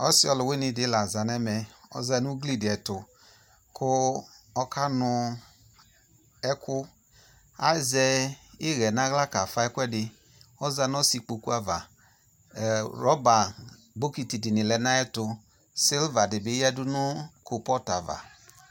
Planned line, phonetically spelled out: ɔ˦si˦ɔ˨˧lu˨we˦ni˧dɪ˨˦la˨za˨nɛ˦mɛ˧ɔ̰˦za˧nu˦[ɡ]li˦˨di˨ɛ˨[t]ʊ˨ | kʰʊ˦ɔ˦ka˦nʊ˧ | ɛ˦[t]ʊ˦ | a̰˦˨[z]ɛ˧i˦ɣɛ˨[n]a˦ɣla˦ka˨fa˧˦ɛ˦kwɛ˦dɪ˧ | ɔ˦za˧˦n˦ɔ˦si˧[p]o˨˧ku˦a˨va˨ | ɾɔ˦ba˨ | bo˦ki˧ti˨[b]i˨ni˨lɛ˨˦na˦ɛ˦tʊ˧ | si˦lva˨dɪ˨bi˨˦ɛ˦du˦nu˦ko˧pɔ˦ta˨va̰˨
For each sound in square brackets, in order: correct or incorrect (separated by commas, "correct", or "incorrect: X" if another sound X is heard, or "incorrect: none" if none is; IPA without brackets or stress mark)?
correct, correct, incorrect: k, correct, correct, incorrect: k͡p, incorrect: d